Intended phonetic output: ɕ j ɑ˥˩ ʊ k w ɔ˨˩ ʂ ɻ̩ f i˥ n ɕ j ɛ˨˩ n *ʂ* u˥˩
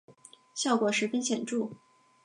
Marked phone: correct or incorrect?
incorrect